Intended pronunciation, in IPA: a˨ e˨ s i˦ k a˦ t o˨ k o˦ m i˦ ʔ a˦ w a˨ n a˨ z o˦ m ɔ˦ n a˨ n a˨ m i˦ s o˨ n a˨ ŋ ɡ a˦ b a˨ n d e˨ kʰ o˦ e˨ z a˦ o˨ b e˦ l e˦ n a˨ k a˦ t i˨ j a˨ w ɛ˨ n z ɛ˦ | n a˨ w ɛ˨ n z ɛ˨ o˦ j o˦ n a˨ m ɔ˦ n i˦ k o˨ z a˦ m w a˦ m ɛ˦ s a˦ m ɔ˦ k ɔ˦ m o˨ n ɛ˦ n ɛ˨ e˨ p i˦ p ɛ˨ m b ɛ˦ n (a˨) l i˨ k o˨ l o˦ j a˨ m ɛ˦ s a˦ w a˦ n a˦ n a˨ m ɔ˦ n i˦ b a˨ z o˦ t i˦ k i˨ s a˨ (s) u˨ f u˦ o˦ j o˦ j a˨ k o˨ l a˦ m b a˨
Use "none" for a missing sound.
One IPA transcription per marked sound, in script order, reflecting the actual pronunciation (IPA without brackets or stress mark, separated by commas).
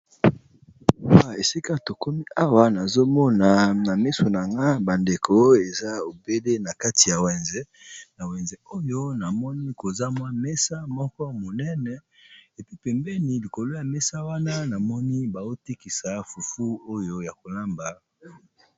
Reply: i˨, f